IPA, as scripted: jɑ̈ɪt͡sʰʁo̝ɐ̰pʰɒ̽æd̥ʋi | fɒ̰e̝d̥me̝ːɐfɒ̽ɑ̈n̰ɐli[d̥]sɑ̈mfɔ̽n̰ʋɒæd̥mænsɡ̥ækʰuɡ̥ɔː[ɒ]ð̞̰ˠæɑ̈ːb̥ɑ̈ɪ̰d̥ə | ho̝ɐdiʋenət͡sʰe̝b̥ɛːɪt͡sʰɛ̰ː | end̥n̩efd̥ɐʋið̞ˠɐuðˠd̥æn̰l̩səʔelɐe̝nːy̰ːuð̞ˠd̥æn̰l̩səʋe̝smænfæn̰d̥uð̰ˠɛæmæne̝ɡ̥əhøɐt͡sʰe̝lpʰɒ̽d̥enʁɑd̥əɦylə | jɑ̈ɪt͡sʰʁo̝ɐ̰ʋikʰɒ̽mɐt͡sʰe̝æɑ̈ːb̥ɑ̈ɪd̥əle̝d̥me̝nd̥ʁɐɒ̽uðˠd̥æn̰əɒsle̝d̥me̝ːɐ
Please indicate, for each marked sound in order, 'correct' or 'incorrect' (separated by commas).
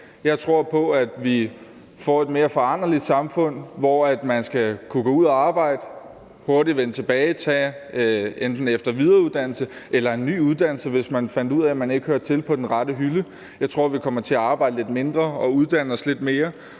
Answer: correct, incorrect